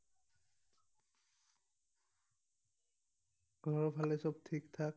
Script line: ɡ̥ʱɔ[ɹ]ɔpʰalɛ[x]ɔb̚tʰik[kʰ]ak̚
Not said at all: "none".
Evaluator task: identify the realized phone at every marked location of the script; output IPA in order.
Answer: ɹ, s, tʰ

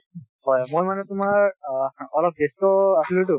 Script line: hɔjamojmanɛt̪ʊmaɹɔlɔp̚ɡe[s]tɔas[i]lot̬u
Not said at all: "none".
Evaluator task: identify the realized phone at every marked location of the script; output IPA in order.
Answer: s, i

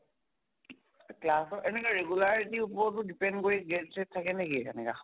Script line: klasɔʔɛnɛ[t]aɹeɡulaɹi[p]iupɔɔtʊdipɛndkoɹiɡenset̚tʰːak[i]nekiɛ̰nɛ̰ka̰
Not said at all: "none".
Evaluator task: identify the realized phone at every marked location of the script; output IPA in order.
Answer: k, t, ɛ

